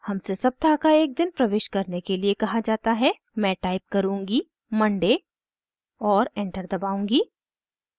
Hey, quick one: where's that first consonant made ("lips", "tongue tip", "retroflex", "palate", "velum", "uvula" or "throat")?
throat